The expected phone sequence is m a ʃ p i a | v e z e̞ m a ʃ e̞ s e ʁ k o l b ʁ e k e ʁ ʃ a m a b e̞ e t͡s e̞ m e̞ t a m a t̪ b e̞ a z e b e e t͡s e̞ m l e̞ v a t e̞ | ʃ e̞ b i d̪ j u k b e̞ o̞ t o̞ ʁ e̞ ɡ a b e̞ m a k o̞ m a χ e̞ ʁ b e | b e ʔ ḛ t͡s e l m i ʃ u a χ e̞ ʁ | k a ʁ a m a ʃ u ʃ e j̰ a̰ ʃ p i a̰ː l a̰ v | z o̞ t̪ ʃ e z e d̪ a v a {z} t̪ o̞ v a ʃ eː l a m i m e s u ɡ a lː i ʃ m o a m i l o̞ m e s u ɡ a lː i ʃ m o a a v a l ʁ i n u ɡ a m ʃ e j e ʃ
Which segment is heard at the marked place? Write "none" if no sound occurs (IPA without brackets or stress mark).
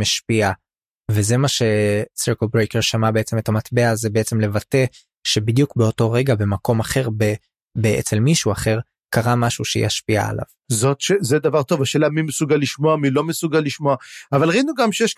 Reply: ʁ